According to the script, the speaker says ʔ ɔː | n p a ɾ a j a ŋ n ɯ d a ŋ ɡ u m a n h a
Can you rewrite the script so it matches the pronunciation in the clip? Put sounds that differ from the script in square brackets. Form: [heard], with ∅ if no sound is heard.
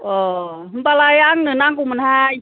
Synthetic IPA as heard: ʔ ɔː | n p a [l] a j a ŋ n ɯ [n] a ŋ [k] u m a n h a